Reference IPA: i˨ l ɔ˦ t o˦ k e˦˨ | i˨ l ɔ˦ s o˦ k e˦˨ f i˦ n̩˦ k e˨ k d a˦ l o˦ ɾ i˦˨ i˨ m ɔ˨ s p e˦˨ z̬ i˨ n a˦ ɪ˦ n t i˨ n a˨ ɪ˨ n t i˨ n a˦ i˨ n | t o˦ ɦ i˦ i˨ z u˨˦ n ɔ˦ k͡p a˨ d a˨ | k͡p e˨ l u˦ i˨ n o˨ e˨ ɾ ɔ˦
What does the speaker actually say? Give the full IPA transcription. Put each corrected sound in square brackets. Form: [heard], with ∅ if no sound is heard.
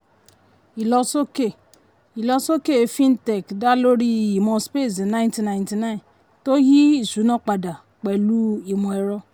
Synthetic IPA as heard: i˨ l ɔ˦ [s] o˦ k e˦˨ | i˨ l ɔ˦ s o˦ k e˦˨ f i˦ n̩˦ [t] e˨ k d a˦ l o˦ ɾ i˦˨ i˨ m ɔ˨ s p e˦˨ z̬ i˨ n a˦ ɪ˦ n t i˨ n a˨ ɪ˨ n t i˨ n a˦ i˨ n | t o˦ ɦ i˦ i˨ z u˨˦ n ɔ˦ k͡p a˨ d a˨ | k͡p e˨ l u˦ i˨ [m] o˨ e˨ ɾ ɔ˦